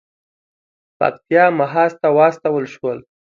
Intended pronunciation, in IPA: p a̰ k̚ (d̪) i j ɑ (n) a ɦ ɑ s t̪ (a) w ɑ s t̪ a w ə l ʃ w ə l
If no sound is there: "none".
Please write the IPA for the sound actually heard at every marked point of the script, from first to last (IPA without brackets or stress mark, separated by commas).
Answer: t̪, m, a